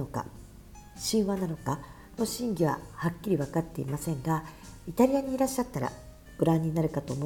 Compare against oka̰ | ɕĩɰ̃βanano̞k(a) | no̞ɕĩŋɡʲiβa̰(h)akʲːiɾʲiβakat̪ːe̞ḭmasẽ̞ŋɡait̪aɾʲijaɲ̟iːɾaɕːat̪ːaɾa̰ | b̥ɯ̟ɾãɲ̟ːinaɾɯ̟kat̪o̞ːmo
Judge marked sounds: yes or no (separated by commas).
yes, yes